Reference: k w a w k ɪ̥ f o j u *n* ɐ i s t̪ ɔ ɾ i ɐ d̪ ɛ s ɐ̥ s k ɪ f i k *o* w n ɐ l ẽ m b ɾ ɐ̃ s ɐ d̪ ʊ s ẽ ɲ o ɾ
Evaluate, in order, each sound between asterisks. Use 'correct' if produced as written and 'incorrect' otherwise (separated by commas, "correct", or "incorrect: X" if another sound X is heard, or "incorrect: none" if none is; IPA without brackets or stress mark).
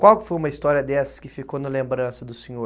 incorrect: m, correct